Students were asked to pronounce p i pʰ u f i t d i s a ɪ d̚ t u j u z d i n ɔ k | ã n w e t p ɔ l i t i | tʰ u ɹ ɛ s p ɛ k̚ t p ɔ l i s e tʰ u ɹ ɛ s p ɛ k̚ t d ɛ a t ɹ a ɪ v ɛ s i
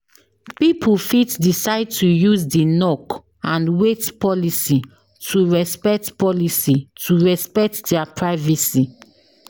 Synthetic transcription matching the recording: p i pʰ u f i t d i s a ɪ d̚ t u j u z d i n ɔ k | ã n w e t p ɔ l i s i | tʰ u ɹ ɛ s p ɛ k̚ t p ɔ l i s i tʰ u ɹ ɛ s p ɛ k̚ t d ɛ a p ɹ a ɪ v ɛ s i